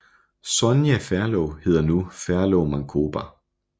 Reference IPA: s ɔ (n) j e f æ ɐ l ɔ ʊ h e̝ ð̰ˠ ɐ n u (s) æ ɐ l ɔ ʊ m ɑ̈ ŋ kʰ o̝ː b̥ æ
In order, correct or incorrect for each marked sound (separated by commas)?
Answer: correct, incorrect